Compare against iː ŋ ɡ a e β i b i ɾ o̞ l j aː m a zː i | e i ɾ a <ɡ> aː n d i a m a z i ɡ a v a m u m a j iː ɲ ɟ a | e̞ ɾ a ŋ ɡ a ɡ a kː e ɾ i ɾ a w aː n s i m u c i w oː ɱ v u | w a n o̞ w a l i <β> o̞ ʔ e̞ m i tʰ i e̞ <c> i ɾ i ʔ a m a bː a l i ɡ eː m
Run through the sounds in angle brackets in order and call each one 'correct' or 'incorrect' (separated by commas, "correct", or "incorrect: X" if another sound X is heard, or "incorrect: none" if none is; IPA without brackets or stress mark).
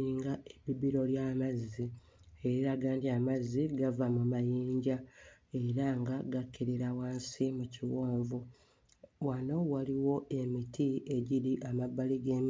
correct, incorrect: w, incorrect: ɟ